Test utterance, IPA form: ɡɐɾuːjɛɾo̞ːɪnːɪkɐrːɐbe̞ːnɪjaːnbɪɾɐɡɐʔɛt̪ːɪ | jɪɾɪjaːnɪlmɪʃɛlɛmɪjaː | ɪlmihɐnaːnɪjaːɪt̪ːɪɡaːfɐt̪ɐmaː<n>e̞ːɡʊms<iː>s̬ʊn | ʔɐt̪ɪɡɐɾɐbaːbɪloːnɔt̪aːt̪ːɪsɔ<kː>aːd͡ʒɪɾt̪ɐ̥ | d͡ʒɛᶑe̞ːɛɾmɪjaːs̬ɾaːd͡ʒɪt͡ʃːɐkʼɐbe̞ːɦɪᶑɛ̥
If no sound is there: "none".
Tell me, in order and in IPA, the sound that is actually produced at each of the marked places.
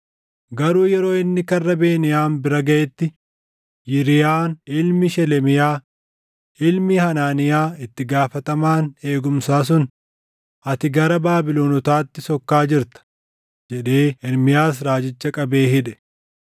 n, aː, kː

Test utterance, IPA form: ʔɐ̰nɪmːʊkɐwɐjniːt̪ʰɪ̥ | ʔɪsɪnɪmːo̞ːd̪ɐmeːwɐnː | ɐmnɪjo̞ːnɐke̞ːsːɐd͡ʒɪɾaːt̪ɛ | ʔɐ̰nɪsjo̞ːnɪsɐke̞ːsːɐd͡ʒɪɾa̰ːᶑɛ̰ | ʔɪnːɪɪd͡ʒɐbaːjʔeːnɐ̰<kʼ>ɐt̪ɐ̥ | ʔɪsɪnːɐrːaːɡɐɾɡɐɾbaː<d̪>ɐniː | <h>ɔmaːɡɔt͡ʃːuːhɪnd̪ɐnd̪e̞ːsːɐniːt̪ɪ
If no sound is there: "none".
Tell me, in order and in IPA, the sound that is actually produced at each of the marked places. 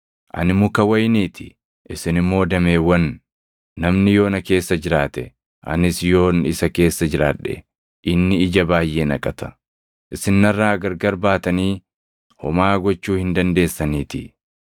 kʼ, t̪, h

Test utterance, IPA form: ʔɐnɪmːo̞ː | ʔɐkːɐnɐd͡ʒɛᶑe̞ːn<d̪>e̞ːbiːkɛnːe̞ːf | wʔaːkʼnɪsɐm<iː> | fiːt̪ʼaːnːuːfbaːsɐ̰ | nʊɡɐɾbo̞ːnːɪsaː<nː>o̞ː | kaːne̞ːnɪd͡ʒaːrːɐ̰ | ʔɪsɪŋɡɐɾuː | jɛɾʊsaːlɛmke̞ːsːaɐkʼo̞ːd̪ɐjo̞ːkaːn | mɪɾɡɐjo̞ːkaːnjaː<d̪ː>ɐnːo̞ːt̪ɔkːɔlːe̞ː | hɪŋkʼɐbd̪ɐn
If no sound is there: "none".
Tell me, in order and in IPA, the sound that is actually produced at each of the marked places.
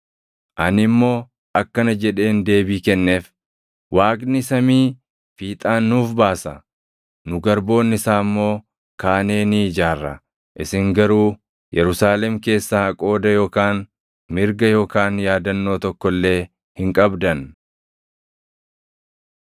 d̪, iː, mː, d̪

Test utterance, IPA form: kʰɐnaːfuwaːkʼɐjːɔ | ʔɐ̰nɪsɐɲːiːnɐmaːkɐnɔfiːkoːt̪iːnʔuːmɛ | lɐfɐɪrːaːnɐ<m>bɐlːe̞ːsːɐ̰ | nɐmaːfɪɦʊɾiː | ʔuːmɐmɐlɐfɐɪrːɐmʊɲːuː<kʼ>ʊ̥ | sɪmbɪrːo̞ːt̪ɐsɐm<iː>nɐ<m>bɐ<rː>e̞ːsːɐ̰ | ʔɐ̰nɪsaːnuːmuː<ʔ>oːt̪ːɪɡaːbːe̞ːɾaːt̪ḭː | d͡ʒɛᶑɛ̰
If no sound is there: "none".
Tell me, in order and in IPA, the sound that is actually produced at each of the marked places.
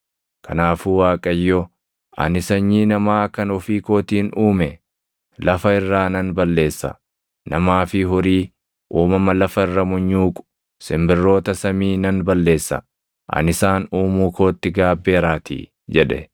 n, kʼ, iː, n, lː, k

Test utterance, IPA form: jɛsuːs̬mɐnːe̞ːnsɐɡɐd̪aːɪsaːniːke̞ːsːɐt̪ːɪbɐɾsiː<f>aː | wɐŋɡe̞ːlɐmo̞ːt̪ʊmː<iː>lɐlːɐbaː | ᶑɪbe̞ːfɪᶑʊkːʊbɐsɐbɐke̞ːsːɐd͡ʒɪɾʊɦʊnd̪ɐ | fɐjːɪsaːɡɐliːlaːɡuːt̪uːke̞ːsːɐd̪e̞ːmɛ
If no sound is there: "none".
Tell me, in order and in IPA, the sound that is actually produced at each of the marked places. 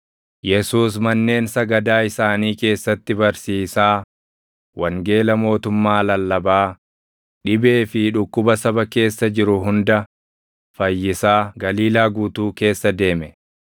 s, aː

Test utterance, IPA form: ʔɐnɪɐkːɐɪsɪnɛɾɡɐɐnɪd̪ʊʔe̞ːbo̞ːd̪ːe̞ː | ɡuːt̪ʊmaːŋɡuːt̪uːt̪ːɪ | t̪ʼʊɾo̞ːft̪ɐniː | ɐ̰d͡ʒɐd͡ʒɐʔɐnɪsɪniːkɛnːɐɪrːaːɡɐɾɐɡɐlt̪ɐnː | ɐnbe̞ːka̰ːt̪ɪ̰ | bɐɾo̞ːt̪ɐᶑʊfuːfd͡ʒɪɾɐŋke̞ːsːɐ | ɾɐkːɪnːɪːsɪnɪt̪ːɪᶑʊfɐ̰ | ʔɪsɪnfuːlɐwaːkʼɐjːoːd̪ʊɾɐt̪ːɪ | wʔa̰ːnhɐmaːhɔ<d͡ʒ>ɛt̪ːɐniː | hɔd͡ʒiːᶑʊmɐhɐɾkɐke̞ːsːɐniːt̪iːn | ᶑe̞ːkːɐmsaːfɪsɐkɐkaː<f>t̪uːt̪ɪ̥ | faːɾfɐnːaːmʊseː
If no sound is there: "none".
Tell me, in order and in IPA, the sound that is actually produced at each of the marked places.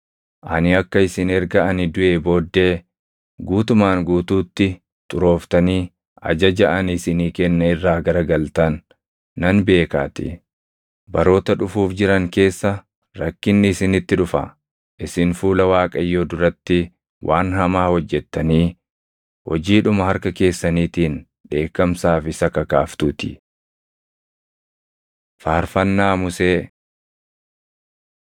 d͡ʒː, f

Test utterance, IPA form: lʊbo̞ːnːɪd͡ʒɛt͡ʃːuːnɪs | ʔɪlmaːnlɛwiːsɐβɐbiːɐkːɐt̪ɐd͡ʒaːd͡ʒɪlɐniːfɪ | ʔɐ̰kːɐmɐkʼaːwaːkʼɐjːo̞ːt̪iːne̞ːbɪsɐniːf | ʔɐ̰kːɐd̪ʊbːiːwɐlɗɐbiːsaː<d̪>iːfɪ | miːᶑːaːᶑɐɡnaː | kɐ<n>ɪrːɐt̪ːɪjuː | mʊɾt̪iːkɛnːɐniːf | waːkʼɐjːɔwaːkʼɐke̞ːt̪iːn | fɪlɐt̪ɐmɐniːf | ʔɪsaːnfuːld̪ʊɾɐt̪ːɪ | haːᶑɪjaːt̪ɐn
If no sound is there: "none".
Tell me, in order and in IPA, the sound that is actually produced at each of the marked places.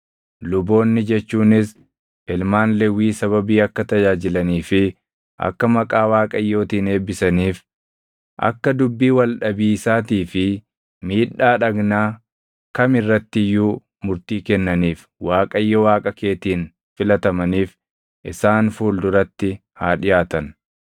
t̪, m

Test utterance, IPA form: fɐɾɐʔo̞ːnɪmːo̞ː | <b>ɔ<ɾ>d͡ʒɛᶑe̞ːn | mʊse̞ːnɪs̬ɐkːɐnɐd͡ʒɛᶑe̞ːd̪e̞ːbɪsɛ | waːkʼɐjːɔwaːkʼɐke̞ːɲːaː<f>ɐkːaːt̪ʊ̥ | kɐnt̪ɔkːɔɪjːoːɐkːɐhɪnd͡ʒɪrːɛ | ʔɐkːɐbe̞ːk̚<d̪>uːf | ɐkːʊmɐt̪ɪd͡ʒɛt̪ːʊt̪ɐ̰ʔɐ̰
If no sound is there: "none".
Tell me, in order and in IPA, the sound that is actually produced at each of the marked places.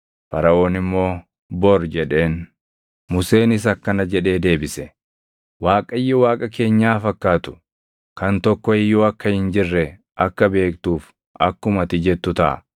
b, ɾ, f, t̪

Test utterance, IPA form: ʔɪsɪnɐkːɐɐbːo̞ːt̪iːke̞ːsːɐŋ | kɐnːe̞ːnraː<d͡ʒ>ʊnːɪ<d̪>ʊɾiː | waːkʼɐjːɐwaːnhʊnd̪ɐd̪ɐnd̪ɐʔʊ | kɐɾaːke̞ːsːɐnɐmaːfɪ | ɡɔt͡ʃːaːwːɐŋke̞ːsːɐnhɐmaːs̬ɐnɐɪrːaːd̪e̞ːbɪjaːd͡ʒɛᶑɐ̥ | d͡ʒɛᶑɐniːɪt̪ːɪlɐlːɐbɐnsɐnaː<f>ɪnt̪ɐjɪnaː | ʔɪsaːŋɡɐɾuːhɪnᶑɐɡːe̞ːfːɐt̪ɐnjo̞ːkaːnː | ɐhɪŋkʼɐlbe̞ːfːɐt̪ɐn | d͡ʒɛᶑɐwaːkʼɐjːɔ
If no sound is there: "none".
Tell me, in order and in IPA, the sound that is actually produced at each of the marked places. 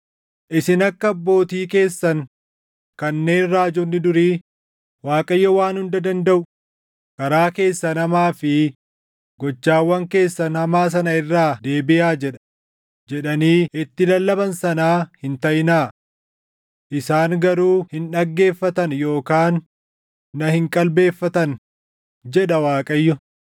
d͡ʒ, d̪, h

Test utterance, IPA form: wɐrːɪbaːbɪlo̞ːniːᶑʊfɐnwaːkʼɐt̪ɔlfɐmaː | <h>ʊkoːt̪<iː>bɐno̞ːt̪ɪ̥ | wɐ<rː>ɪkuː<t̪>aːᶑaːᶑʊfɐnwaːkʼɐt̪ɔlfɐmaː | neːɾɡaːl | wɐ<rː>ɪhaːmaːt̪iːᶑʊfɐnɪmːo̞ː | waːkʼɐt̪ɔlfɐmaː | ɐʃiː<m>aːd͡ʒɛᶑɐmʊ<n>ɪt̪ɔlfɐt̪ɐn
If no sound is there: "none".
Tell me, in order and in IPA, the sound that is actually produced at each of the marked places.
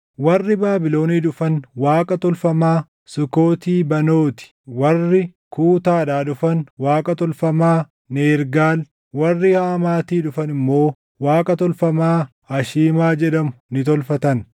s, iː, rː, t̪, rː, m, n

